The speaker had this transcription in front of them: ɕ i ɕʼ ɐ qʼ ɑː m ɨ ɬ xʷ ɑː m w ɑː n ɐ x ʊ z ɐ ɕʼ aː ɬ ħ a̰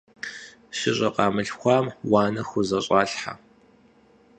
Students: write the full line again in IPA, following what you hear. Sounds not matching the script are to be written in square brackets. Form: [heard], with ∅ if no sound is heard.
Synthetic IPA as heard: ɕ [ɪ] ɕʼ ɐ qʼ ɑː m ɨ ɬ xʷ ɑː m w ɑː n ɐ x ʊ z ɐ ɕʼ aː ɬ ħ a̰

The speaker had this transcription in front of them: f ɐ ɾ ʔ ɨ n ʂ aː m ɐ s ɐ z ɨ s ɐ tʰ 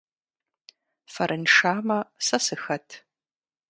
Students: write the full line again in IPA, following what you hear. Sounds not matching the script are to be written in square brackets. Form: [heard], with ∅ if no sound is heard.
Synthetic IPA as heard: f ɐ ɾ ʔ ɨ n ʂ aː m ɐ s ɐ [s] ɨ [x] ɐ tʰ

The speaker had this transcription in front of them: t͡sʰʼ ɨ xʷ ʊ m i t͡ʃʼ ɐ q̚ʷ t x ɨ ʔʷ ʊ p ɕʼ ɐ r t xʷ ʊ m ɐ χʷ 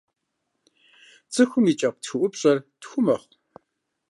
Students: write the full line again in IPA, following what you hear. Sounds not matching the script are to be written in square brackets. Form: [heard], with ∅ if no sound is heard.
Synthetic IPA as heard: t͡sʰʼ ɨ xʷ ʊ m i t͡ʃʼ ɐ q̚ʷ t x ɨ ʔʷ ʊ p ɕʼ ɐ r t xʷ ʊ m ɐ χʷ

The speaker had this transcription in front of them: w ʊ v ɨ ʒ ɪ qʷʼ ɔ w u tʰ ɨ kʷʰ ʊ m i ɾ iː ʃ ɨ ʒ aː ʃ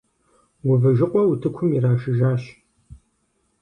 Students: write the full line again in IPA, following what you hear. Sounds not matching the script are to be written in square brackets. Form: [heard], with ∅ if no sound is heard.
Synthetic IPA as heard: w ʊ v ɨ ʒ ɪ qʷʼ ɔ w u tʰ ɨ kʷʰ ʊ m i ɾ [aː] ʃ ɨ ʒ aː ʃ

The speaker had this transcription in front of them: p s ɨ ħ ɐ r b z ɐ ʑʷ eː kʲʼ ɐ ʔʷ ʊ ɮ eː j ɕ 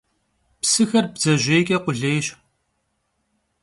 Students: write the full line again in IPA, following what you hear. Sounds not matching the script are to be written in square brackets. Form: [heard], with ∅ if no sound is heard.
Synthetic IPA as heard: p s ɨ [x] ɐ r b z ɐ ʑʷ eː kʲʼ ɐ [qʷ] ʊ ɮ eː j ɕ

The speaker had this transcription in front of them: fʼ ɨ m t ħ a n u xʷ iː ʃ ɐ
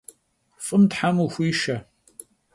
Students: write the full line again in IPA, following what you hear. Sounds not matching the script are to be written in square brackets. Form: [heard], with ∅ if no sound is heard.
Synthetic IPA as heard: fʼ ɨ m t ħ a [m] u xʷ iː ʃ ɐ

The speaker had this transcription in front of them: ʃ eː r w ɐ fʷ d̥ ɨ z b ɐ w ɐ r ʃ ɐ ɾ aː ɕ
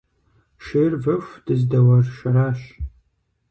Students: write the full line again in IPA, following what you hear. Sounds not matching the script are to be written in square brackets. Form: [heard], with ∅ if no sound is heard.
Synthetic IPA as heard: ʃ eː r [v] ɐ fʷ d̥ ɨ z [d] ɐ w ɐ r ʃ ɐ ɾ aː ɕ

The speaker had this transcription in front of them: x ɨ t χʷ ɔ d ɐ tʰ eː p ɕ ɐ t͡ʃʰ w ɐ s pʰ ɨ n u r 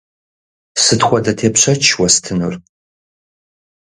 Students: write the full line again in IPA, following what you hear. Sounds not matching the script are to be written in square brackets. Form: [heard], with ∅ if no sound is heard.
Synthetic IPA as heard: [s] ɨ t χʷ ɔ d ɐ tʰ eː p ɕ ɐ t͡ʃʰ w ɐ s [tʰ] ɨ n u r

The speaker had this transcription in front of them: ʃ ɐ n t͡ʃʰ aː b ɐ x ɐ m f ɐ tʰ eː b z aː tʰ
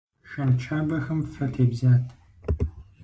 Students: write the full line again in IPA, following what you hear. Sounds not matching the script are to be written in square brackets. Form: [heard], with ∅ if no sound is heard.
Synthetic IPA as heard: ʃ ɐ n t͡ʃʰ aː b ɐ x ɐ m f ɐ tʰ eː b z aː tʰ

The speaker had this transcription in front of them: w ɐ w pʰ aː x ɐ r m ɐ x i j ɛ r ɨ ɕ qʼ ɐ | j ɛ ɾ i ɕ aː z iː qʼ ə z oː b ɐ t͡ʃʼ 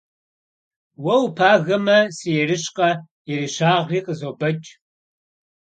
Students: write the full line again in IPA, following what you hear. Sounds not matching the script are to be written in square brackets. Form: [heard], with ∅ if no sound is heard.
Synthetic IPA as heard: w ɐ w pʰ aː [ɣ] ɐ [∅] m ɐ [s] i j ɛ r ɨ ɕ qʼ ɐ | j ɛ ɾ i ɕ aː [ʁ] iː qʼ ə z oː b ɐ t͡ʃʼ

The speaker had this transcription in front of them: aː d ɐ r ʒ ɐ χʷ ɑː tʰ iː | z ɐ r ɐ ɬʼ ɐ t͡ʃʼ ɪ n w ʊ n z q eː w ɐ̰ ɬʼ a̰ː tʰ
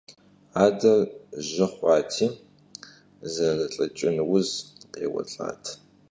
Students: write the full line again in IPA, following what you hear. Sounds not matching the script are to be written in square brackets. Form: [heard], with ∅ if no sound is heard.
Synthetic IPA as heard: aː d ɐ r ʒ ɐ χʷ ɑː tʰ iː | z ɐ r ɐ ɬʼ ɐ t͡ʃʼ ɪ n w ʊ [∅] z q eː w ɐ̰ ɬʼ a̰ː tʰ

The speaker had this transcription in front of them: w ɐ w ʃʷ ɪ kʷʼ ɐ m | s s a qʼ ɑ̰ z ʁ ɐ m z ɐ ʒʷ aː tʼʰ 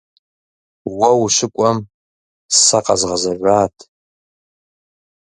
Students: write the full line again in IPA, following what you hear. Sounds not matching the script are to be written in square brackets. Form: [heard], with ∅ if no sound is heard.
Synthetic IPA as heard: w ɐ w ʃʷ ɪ kʷʼ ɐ m | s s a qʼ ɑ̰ z ʁ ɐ [∅] z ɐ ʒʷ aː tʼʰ

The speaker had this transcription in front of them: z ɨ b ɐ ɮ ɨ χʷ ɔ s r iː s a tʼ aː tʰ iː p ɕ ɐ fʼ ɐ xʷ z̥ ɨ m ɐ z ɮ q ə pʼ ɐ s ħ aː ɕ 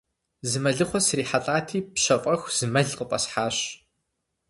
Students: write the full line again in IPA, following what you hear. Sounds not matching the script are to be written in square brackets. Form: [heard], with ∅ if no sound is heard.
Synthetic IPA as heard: z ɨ [m] ɐ ɮ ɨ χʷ ɔ s r iː [ħ] a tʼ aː tʰ iː p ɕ ɐ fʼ ɐ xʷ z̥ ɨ m ɐ [∅] ɮ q ə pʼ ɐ s ħ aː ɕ

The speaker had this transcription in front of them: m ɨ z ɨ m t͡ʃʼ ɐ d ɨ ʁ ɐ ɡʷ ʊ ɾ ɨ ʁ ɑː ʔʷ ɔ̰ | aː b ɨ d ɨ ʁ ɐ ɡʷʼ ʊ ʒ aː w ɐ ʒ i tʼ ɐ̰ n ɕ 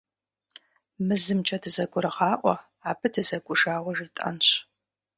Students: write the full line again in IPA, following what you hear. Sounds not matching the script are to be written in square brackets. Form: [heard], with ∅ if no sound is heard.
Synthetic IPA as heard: m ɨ z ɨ m t͡ʃʼ ɐ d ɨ [z] ɐ ɡʷ ʊ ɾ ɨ ʁ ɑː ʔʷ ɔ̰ | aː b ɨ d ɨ [z] ɐ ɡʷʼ ʊ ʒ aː w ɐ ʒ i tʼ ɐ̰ n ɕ

